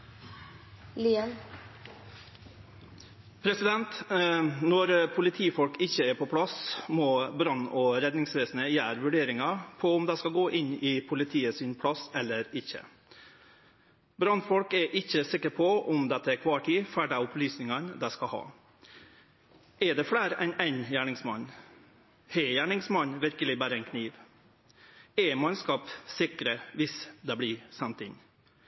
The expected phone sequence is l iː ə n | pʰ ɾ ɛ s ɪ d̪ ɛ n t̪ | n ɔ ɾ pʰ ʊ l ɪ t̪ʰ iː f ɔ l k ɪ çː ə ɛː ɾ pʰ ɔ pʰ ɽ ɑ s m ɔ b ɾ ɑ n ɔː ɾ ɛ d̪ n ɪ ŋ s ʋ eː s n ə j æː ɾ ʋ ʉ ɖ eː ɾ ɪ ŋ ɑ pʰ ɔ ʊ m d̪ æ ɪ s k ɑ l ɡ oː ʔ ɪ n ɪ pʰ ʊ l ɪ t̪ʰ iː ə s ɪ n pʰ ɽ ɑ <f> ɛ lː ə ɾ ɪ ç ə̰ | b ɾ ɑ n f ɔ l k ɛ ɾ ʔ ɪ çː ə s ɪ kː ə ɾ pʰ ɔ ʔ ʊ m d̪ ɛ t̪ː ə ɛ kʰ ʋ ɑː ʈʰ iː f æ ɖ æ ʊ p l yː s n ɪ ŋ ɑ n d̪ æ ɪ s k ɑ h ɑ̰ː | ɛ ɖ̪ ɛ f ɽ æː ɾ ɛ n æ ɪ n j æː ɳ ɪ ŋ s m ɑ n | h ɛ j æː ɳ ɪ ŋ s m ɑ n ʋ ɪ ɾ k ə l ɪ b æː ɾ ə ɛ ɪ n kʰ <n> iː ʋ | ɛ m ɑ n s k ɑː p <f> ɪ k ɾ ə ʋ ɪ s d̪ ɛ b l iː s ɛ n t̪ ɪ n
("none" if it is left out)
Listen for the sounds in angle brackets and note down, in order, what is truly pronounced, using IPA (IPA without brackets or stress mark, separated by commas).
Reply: s, n, s